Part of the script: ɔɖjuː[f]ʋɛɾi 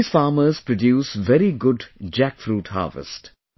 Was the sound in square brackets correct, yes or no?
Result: no